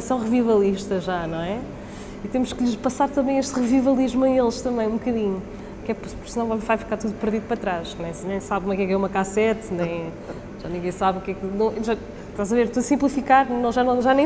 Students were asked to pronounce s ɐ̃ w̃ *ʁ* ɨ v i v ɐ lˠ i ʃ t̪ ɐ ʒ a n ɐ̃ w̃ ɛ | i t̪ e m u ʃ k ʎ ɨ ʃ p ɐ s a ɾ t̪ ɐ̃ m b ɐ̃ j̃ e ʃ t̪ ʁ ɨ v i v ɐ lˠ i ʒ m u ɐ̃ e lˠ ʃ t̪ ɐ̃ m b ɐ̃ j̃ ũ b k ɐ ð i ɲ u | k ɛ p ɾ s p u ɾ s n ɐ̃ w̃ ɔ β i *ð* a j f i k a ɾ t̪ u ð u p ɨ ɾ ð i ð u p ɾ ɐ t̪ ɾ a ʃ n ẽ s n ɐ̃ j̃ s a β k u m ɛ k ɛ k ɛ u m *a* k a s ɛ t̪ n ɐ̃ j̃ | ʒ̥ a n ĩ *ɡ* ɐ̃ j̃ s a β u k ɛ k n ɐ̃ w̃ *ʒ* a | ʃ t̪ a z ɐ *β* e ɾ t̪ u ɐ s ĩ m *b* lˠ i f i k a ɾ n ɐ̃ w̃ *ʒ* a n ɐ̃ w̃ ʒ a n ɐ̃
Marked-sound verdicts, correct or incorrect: correct, incorrect: v, incorrect: ɐ, correct, correct, incorrect: v, incorrect: p, correct

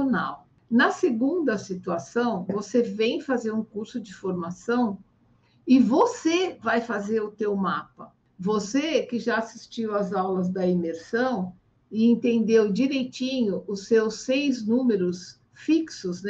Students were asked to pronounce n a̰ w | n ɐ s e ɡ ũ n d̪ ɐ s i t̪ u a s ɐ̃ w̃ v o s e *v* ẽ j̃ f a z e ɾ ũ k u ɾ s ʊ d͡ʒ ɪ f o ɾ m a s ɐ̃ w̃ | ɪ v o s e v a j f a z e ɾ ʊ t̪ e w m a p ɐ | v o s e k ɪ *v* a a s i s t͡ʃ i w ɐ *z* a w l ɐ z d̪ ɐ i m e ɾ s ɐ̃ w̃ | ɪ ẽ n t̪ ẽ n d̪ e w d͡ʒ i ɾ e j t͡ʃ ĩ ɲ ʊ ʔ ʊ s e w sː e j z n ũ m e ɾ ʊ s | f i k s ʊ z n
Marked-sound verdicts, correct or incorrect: correct, incorrect: ʒ, correct

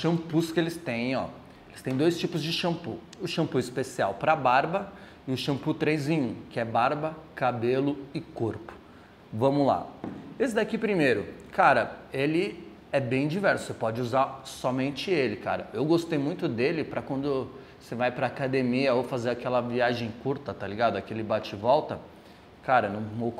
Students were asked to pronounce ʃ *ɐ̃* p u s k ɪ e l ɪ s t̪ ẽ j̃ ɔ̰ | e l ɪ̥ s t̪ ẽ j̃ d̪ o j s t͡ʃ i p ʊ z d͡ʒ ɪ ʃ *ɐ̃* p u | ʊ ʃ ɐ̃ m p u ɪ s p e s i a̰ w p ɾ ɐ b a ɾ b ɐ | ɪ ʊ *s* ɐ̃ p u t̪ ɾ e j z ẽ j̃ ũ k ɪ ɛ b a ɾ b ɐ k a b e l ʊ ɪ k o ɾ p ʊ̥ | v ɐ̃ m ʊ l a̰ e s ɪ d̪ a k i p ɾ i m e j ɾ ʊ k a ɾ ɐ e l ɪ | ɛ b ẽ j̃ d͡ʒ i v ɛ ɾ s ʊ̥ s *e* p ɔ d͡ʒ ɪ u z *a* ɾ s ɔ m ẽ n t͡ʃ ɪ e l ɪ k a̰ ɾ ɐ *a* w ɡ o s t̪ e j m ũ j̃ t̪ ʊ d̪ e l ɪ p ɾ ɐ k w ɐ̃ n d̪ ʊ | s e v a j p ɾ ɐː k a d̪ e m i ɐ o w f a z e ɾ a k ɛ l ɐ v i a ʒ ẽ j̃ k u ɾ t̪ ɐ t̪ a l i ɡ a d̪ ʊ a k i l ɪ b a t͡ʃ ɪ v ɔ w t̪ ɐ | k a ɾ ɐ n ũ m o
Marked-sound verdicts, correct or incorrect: correct, correct, incorrect: ʃ, correct, correct, incorrect: e

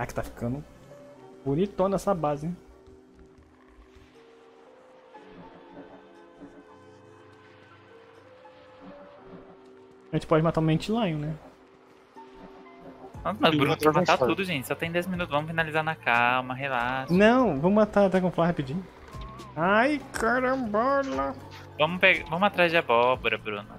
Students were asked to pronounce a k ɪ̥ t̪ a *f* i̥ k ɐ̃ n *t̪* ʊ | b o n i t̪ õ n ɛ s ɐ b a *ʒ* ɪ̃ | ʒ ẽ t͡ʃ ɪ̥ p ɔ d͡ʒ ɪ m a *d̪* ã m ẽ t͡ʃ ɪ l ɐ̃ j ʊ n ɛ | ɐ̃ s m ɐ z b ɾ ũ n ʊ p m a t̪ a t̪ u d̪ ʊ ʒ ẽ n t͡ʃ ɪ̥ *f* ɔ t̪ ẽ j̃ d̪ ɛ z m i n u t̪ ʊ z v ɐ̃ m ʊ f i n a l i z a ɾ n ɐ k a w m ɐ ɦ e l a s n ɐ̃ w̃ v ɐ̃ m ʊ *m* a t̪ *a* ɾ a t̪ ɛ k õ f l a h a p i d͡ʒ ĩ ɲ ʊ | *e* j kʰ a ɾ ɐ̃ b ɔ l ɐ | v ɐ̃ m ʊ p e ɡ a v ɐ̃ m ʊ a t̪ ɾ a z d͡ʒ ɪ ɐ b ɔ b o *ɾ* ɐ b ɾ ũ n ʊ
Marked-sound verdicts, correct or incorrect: correct, incorrect: d̪, incorrect: z, incorrect: t̪, incorrect: s, correct, correct, incorrect: a, correct

